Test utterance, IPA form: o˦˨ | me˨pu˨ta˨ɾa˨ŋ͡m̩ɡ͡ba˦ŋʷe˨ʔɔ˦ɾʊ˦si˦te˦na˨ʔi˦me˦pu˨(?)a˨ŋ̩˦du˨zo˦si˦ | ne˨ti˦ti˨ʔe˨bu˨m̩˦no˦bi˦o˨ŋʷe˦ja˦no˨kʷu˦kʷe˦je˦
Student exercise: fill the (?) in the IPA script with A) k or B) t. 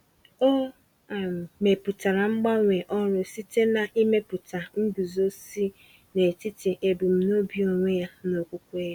B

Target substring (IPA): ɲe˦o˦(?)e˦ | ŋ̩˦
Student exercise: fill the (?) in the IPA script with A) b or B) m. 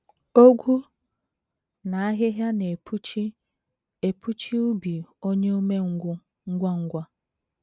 B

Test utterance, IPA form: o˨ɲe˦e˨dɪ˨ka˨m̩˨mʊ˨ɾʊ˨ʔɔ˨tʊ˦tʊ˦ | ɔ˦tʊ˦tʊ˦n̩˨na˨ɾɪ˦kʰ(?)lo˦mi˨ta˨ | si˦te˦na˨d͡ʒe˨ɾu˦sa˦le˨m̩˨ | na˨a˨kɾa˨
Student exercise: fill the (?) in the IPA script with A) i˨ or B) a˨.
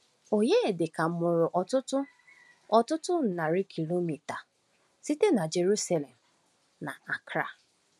A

